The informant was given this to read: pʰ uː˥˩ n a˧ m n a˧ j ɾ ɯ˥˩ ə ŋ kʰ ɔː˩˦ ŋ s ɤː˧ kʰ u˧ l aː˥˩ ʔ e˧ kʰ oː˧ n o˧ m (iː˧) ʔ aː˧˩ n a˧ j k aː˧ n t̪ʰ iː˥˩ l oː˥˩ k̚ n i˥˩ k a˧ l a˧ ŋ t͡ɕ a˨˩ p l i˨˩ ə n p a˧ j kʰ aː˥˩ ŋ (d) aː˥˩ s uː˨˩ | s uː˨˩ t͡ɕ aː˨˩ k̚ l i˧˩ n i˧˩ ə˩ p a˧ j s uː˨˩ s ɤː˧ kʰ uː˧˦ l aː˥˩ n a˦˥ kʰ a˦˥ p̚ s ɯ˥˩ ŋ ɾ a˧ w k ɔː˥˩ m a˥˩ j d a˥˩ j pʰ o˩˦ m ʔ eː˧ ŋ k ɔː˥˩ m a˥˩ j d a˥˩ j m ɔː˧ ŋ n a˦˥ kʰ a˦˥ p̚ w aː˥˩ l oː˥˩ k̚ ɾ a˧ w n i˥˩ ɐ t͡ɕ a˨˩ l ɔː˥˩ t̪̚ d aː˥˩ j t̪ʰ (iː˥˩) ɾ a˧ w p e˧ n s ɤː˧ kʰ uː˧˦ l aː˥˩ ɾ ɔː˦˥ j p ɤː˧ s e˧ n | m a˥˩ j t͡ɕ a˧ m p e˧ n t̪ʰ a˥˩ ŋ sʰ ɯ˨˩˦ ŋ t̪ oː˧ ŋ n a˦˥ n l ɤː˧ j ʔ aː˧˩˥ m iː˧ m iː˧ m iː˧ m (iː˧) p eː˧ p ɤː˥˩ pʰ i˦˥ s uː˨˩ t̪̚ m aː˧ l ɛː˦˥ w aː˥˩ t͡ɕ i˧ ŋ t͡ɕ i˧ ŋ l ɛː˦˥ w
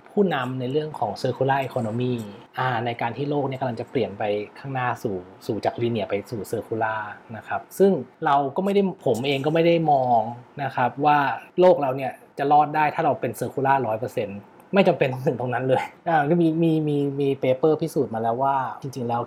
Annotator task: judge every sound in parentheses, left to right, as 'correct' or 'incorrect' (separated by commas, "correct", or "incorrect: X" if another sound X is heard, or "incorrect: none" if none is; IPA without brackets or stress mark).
incorrect: iː˥˩, incorrect: n, incorrect: aː˥˩, correct